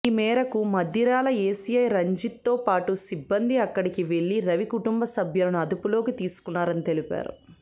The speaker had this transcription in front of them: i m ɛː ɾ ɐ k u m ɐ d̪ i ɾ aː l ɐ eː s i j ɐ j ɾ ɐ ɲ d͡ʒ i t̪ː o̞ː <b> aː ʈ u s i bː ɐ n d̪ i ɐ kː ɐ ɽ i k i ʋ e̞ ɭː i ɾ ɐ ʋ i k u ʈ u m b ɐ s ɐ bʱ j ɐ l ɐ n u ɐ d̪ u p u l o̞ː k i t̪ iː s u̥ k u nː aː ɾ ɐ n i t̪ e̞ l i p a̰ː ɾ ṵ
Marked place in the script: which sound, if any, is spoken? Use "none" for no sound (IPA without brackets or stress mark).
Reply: p